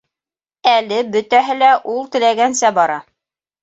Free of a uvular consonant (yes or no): yes